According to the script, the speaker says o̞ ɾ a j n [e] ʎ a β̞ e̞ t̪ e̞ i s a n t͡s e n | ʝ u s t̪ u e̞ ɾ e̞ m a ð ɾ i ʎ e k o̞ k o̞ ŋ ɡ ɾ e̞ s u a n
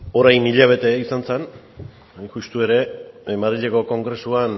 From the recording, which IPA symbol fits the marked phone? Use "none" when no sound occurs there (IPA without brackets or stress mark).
i